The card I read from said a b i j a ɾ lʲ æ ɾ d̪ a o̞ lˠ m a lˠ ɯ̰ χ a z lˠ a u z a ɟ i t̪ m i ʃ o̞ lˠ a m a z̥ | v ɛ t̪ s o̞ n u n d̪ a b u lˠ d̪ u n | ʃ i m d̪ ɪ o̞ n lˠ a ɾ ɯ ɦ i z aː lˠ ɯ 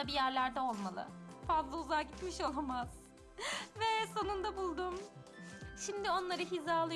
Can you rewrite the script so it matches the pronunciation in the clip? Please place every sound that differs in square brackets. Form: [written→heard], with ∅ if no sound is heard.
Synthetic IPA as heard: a b i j [a→æ] ɾ lʲ æ ɾ d̪ [a→ɛ] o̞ lˠ m a lˠ ɯ̰ [χ→f] a z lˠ a u z a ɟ i t̪ m i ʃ o̞ lˠ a m a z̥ | v ɛ [t̪→∅] s o̞ n u n d̪ a b u lˠ d̪ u [n→m] | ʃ i m d̪ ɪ o̞ n lˠ a ɾ ɯ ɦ i z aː lˠ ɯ